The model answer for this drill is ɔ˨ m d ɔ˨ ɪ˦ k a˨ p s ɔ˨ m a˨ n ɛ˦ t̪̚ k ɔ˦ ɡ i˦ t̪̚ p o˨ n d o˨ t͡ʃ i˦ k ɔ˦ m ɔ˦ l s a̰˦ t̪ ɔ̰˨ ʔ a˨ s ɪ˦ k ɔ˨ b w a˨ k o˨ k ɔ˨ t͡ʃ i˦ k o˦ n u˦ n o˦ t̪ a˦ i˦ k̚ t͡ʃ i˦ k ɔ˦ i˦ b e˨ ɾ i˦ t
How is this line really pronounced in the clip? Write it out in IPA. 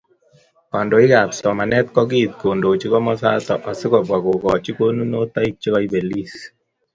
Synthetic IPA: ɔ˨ n d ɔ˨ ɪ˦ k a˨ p s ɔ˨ m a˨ n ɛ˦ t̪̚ k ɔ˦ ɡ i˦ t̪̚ k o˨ n d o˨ t͡ʃ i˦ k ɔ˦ m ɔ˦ s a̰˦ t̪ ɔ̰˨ ʔ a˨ s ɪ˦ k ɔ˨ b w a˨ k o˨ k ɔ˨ t͡ʃ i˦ k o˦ n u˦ n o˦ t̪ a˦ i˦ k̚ t͡ʃ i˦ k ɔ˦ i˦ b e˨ l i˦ s